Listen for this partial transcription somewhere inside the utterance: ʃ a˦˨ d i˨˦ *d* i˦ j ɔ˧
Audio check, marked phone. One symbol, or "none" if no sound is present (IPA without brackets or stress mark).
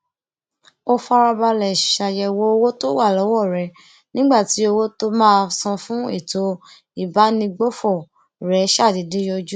d